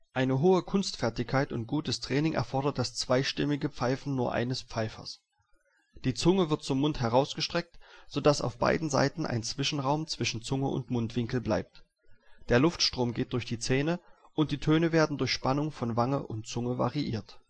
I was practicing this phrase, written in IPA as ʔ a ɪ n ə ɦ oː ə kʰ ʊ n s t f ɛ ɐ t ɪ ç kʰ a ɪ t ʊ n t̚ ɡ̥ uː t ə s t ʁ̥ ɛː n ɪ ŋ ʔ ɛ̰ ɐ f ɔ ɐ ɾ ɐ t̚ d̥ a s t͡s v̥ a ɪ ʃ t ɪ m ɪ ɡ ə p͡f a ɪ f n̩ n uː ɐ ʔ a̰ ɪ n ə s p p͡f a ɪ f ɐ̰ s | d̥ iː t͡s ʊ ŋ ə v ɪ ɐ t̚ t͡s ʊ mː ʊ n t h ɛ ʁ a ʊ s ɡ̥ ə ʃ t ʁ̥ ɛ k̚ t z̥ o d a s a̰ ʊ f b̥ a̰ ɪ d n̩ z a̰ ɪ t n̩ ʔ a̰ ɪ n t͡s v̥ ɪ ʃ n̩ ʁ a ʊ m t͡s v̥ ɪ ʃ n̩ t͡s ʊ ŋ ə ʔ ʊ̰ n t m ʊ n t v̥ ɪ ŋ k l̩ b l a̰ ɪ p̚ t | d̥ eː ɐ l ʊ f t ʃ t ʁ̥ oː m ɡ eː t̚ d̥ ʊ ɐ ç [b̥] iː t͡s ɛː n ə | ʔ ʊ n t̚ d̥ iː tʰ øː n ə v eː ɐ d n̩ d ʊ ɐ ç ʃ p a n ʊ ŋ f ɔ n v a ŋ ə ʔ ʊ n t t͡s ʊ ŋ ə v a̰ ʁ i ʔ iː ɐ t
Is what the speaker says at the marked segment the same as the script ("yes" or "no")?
no